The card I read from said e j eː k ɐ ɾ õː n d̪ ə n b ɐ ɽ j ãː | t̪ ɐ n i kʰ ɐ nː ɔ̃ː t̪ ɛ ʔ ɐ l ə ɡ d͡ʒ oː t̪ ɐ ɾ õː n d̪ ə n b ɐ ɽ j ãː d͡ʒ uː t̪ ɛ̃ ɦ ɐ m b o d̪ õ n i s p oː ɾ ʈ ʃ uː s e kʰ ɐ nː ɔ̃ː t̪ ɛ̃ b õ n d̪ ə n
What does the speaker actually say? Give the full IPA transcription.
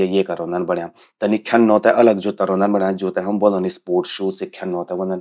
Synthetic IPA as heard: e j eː k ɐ ɾ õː n d̪ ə n b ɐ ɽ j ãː | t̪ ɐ n i kʰ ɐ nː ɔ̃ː t̪ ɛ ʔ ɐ l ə ɡ d͡ʒ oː t̪ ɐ ɾ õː n d̪ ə n b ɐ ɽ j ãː d͡ʒ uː t̪ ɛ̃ ɦ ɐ m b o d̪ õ n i s p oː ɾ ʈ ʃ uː s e kʰ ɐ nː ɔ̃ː t̪ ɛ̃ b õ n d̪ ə n

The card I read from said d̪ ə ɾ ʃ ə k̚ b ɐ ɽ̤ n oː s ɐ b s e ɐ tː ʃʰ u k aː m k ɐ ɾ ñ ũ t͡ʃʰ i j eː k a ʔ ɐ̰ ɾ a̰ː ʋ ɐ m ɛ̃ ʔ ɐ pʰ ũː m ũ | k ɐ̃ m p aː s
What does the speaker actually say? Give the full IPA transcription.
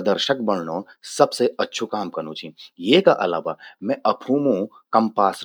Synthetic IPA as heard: d̪ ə ɾ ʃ ə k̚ b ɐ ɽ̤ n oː s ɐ b s e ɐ tː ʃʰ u k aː m k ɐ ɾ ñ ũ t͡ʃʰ i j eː k a ʔ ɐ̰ l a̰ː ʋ a m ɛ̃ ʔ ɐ pʰ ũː m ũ | k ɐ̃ m p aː s

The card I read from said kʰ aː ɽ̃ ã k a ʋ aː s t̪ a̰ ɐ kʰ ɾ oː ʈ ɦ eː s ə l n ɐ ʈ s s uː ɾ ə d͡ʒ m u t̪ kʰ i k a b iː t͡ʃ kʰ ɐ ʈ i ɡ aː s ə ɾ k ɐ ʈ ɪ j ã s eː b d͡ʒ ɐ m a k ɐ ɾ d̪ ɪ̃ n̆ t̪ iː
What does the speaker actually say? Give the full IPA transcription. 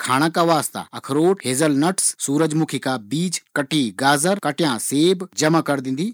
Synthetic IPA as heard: kʰ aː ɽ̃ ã k a ʋ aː s t̪ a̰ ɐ kʰ ɾ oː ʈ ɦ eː z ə l n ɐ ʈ s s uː ɾ ə d͡ʒ m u kʰ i k a b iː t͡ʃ k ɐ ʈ i ɡ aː z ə ɾ k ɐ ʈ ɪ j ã s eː b d͡ʒ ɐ m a k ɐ ɾ d̪ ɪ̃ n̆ d̪ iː

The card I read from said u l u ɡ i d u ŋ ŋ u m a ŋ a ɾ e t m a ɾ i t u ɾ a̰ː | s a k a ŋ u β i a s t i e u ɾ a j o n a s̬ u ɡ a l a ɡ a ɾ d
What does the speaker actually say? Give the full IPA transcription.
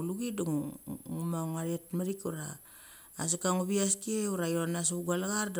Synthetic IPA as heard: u l u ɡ i d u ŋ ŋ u m a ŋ a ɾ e t m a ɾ i k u ɾ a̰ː | s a k a ŋ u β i a s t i e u ɾ a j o n a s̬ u ɡ a l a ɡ a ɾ d

